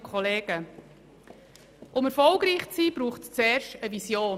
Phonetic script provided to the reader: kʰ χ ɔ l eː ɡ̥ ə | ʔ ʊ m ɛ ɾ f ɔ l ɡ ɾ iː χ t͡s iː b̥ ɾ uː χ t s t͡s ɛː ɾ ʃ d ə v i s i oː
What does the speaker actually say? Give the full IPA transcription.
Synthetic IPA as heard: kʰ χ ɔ l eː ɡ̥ ə | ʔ ʊ m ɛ ɾ f ɔ l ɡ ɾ iː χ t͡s iː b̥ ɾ uː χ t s t͡s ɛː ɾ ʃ t ə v i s j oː